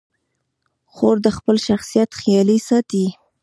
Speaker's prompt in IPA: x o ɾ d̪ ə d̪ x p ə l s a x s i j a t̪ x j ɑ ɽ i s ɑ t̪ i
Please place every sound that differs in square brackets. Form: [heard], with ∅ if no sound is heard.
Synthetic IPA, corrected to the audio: x o ɾ d̪ ə [∅] x p ə l [ʃ] a x s i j a t̪ x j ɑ [l] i s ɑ t̪ i